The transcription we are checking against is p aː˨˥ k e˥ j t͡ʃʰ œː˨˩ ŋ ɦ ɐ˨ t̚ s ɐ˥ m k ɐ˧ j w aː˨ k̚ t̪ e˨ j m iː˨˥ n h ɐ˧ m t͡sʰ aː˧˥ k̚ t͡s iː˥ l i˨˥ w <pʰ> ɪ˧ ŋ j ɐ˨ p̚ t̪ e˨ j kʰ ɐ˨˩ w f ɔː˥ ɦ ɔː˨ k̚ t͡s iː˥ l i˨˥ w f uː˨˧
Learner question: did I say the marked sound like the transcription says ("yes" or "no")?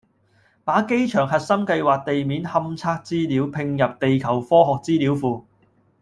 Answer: yes